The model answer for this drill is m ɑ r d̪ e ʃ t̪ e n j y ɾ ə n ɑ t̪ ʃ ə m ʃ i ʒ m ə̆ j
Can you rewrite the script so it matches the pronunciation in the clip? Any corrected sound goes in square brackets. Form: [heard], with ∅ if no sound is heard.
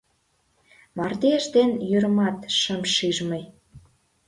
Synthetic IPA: m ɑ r d̪ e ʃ [d̪] e n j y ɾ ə [m] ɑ t̪ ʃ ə m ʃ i ʒ m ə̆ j